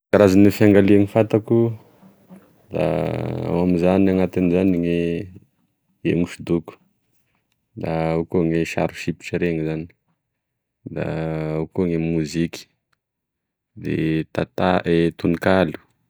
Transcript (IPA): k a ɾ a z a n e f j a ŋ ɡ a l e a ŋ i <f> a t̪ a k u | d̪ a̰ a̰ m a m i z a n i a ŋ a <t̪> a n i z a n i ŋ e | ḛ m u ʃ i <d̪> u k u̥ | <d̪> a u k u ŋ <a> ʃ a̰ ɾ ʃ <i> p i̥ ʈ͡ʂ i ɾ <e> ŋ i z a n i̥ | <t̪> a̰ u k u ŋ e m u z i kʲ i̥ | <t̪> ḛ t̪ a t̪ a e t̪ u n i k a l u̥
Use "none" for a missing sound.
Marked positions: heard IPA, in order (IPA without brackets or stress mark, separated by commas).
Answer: f, t̪, d̪, d̪, e, i, e, d̪, d̪